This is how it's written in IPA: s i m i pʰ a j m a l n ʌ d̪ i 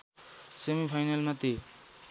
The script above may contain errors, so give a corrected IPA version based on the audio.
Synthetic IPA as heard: s e m i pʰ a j n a l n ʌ t̪ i